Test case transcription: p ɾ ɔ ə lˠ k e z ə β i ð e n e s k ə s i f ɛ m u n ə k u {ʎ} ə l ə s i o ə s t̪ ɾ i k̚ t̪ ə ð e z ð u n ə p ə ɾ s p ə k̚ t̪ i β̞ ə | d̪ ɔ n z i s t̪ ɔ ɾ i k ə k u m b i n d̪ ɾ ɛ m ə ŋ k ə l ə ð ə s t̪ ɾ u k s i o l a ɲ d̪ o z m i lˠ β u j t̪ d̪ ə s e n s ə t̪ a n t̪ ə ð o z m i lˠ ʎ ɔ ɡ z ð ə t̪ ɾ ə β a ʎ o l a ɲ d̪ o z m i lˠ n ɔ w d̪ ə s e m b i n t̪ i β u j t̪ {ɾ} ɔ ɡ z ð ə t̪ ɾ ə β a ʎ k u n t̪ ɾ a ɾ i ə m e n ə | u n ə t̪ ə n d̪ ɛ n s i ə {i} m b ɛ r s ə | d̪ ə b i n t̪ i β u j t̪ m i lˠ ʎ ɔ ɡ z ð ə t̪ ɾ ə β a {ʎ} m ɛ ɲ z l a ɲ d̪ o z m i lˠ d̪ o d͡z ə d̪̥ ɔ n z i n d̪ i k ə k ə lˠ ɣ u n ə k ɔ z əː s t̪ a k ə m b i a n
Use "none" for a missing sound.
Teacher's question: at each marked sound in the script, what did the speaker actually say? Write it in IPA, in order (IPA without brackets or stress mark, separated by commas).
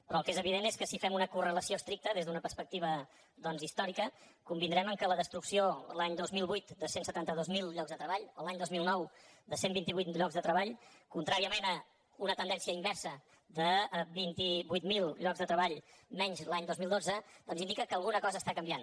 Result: r, ʎ, i, ʎ